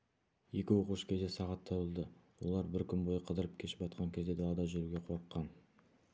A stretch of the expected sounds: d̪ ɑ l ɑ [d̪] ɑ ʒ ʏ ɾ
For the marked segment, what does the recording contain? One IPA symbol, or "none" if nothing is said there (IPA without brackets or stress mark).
d̪